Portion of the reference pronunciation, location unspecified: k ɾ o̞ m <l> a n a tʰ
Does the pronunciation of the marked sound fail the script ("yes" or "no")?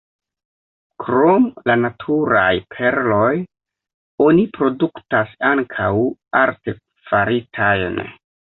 no